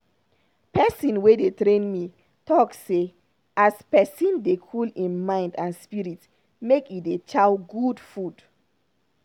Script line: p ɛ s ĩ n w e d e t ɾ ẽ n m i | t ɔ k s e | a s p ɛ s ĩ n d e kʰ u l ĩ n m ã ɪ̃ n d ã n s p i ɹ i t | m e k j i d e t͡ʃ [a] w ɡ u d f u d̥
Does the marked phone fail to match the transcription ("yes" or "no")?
no